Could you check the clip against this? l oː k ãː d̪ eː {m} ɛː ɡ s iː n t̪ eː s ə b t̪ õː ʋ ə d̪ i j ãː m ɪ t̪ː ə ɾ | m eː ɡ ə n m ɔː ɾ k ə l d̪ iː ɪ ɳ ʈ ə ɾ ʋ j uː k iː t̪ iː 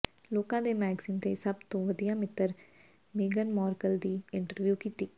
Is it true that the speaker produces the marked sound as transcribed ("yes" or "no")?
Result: yes